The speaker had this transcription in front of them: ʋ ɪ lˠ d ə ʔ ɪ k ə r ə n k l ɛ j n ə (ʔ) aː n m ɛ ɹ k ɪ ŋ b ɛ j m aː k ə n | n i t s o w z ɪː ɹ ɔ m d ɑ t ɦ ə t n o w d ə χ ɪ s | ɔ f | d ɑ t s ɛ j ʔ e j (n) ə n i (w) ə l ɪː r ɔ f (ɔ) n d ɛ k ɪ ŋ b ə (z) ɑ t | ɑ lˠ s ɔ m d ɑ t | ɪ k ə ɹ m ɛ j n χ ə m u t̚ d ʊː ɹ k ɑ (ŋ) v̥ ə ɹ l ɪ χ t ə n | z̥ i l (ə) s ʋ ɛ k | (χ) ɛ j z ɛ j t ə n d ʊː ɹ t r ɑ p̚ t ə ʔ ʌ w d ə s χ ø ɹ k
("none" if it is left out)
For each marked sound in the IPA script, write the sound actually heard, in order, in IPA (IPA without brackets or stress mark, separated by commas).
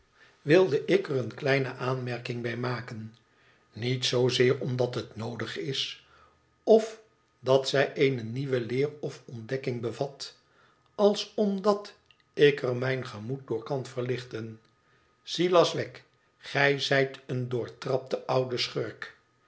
ʔ, n, ʋ, ɔ, v, n, ɑ, χ